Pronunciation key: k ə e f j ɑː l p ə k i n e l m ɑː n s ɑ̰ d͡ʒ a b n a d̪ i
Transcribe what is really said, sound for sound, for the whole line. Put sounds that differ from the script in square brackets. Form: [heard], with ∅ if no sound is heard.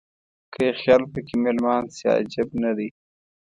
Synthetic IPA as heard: k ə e [x] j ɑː l p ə k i [m] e l m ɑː n s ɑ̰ d͡ʒ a b n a d̪ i